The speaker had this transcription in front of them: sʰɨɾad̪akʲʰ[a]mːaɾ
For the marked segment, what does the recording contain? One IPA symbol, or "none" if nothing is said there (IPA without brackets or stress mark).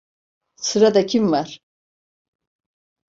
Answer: i